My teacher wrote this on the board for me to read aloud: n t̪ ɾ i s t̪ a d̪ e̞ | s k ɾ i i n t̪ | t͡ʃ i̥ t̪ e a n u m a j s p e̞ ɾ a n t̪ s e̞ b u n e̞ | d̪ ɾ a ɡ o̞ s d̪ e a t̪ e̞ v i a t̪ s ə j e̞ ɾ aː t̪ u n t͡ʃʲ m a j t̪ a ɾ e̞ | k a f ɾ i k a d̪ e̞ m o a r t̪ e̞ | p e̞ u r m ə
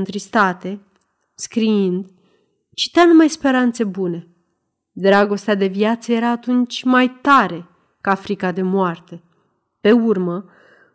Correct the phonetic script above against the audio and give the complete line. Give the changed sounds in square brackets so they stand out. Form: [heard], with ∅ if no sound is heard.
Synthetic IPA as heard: n t̪ ɾ i s t̪ a [t̪] e̞ | s k ɾ i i n [d̪] | t͡ʃ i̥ t̪ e a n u m a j s p e̞ ɾ a n t̪ s e̞ b u n e̞ | d̪ ɾ a ɡ o̞ s [t̪] e a [d̪] e̞ v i a t̪ s ə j e̞ ɾ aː t̪ u n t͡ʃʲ m a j t̪ a ɾ e̞ | k a f ɾ i k a d̪ e̞ m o a r t̪ e̞ | p e̞ u r m ə